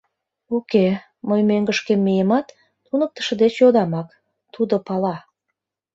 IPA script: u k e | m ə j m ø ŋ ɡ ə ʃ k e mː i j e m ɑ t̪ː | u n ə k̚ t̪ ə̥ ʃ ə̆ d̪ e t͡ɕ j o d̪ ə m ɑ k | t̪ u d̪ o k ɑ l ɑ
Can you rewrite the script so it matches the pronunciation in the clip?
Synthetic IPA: u k e | m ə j m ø ŋ ɡ ə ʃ k e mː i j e m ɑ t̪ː | u n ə k̚ t̪ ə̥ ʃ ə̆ d̪ e t͡ɕ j o d̪ ɑ m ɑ k | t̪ u d̪ o p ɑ l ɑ